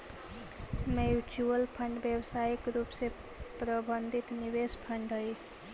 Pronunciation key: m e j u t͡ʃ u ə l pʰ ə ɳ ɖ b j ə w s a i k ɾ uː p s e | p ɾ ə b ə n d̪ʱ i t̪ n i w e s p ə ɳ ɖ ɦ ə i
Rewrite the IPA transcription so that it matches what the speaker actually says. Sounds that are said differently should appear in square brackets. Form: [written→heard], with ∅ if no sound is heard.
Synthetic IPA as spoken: m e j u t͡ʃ u ə l pʰ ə ɳ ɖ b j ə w s a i k ɾ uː p s e | p ɾ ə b ə n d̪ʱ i t̪ n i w e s [p→pʰ] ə ɳ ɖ ɦ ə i